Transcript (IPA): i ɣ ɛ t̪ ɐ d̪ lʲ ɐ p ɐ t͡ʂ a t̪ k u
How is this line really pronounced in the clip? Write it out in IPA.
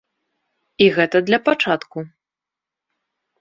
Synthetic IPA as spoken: i ɣ ɛ t̪ ɐ d̪ lʲ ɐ p a t͡ʂ a t̪ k u